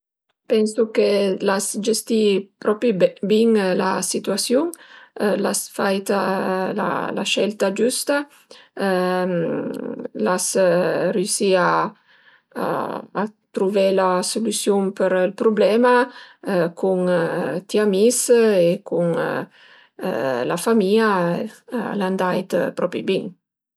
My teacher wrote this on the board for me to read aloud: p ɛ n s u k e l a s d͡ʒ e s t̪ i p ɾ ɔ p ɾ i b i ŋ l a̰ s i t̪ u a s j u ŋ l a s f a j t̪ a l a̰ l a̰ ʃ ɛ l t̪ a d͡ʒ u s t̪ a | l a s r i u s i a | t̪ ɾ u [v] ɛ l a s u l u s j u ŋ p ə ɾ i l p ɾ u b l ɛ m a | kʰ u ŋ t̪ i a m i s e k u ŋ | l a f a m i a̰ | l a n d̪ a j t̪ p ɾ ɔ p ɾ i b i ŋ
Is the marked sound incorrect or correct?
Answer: correct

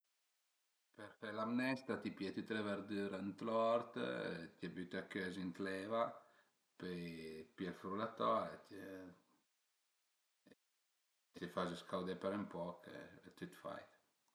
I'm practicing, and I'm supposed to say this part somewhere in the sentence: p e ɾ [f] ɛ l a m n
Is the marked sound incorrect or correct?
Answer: correct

